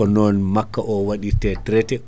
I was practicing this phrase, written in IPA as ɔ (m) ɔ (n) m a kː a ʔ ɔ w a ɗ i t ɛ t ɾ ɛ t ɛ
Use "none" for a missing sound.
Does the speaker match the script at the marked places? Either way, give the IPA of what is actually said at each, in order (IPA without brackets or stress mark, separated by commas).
n, n